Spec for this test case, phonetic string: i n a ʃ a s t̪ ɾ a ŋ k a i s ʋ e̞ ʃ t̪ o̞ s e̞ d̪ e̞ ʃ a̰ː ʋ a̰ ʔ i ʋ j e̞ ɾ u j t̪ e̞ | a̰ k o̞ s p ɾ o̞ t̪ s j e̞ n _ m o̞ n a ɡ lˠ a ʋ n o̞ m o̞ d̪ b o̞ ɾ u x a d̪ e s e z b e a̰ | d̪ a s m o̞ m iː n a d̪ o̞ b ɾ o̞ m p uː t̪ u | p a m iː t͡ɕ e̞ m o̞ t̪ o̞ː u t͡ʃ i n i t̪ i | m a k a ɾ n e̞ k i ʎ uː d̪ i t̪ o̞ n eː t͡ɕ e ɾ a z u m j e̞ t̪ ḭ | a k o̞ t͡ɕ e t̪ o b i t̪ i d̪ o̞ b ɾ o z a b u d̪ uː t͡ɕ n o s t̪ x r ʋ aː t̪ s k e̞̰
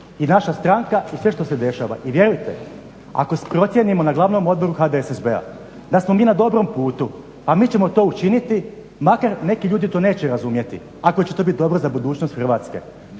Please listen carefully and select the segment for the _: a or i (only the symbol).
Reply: i